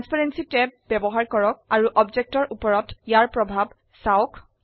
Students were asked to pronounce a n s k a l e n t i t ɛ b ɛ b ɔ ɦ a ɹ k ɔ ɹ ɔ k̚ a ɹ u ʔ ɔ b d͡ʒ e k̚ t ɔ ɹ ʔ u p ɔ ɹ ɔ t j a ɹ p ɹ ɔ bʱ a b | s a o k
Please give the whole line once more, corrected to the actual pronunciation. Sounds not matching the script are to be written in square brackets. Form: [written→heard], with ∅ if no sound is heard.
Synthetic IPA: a n s [k→p] a [l→ɹ] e n [t→s] i t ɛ b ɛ b ɔ ɦ a ɹ k ɔ ɹ ɔ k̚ a ɹ u ʔ ɔ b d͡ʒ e k̚ t ɔ ɹ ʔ u p ɔ ɹ ɔ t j a ɹ p ɹ ɔ bʱ a b | s a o k